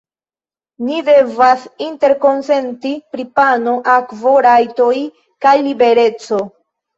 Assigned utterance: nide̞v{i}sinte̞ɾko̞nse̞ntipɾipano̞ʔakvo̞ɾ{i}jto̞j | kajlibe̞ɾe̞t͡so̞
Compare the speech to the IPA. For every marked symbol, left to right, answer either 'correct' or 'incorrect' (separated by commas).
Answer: incorrect, incorrect